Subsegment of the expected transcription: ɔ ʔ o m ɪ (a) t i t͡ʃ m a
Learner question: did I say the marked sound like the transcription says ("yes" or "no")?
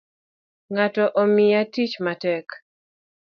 yes